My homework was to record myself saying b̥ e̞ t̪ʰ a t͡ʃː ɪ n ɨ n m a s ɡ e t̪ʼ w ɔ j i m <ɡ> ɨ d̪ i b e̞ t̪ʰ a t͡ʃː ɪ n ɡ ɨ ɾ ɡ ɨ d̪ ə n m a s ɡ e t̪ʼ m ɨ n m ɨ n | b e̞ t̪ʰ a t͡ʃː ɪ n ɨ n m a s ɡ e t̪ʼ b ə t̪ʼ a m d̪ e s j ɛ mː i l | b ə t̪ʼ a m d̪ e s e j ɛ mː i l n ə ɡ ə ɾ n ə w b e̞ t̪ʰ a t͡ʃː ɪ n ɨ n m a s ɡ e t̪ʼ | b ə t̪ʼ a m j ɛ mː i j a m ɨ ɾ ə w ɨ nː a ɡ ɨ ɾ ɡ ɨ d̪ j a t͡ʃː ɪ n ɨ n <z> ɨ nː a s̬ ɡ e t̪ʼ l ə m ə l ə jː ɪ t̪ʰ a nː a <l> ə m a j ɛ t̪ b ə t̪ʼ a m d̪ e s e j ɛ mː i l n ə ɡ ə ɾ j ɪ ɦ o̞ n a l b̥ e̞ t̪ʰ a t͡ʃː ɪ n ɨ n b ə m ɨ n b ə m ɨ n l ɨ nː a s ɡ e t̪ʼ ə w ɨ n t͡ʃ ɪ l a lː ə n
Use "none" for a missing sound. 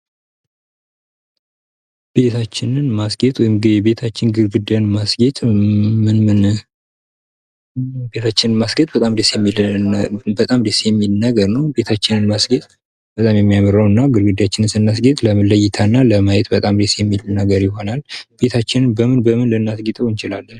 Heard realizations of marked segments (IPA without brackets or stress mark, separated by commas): ɡ, s, l